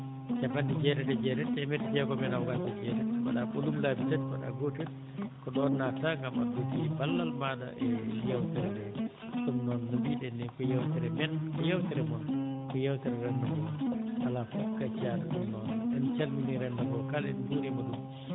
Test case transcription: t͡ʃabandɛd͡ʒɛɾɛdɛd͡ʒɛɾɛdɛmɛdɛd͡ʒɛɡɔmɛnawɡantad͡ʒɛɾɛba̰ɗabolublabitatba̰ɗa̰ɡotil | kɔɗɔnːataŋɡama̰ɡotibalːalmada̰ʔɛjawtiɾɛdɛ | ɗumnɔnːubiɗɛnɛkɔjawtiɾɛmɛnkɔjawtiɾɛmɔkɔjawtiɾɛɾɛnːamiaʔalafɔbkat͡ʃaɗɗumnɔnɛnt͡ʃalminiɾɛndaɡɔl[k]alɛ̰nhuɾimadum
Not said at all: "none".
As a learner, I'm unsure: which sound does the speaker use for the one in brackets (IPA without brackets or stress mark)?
k